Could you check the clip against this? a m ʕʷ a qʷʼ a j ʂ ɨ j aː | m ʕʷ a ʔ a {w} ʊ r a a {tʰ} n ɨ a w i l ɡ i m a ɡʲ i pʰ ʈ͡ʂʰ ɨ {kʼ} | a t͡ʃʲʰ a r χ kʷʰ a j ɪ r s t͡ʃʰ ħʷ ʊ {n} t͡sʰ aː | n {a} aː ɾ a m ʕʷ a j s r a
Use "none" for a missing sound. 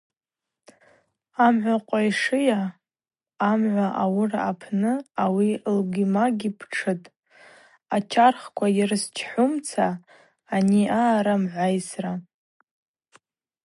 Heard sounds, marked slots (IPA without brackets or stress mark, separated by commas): w, pʰ, tʼ, m, i